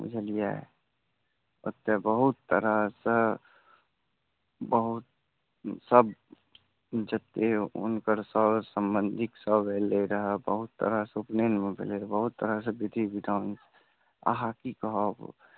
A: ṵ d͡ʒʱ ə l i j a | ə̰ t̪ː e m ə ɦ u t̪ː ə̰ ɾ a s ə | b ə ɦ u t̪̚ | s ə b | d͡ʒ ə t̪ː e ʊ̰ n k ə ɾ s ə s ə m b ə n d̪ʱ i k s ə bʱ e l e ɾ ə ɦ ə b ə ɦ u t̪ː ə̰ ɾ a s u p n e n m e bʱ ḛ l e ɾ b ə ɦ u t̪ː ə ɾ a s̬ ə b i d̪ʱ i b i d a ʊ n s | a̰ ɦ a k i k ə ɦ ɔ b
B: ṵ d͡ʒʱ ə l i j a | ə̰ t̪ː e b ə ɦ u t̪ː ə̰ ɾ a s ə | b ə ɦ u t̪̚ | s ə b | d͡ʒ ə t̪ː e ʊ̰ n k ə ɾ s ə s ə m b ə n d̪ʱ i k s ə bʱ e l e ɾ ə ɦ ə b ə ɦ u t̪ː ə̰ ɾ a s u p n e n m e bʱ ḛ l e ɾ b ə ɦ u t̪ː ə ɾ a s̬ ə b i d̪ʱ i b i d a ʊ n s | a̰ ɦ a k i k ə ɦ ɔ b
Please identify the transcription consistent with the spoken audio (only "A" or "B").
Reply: B